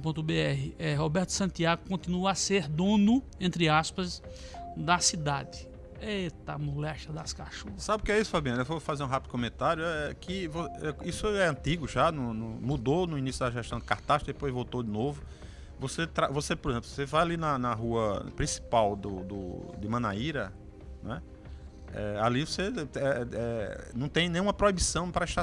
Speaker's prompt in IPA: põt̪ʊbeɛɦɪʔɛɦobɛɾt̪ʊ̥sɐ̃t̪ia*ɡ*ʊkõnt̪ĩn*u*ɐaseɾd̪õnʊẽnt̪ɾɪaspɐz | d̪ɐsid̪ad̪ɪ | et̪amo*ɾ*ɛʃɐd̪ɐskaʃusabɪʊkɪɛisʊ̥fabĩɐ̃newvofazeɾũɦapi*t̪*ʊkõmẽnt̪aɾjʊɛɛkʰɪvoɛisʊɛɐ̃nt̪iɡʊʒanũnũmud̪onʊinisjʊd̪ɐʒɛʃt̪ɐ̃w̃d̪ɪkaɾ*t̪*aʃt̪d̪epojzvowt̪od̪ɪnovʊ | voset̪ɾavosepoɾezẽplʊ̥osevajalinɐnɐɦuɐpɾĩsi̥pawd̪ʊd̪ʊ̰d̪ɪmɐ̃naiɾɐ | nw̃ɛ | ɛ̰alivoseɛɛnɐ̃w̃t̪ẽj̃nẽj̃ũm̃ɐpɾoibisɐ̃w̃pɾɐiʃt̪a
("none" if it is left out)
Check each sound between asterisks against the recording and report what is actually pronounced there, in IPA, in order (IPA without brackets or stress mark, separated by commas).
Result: ɡ, u, l, d̪, t̪